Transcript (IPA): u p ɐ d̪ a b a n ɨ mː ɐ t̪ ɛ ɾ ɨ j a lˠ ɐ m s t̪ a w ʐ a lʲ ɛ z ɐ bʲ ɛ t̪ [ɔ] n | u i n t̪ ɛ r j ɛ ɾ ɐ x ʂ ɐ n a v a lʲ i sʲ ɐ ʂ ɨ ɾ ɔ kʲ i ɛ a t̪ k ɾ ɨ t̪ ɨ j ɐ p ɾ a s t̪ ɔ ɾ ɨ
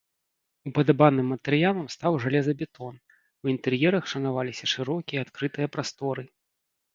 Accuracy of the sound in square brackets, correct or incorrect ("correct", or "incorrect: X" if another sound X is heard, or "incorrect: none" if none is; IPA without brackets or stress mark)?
correct